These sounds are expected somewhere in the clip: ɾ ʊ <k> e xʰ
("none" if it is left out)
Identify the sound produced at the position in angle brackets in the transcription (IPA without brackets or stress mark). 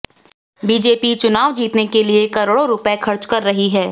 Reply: p